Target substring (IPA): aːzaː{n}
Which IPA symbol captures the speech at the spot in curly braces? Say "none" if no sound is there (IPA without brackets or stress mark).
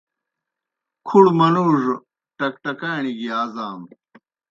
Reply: m